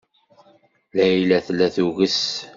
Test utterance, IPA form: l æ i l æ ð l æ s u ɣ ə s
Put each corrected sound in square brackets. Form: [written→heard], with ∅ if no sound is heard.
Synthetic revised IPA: l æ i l æ [ð→θ] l æ [s→θ] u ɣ ə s

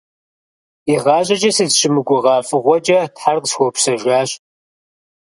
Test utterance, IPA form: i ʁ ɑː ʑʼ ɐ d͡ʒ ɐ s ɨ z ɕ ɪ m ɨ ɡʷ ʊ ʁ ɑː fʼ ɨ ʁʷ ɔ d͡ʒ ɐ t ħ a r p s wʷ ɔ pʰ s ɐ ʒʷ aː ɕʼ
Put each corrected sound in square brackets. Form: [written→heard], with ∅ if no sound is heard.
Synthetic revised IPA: i ʁ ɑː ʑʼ ɐ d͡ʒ ɐ s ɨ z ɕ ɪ m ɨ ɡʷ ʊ ʁ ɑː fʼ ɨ ʁʷ ɔ d͡ʒ ɐ t ħ a r [p→q] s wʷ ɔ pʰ s ɐ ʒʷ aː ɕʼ

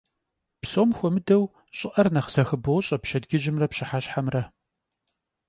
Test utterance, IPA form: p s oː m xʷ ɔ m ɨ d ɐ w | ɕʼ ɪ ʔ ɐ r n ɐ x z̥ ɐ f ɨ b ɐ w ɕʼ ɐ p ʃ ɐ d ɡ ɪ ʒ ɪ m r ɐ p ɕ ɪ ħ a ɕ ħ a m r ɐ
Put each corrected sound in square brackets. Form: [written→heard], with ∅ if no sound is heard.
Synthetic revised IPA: p s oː m xʷ ɔ m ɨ d ɐ w | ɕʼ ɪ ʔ ɐ r n ɐ [x→χ] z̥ ɐ [f→x] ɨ b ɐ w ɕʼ ɐ p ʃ ɐ d ɡ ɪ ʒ ɪ m r ɐ p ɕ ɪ ħ a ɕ ħ a m r ɐ

